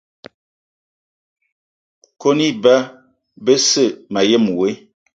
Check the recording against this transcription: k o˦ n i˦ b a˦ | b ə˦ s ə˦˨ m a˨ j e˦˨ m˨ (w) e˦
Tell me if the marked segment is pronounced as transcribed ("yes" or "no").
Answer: yes